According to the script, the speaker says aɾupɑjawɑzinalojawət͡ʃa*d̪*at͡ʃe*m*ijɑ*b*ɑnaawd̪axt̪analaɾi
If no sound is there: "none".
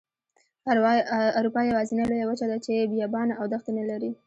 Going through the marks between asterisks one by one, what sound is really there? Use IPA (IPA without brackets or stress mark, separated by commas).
d̪, b, b